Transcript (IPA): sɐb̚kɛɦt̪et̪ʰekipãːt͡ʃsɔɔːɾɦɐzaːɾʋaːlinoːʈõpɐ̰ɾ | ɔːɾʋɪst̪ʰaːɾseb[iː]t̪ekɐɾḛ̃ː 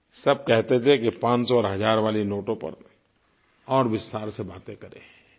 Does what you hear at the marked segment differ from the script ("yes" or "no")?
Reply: yes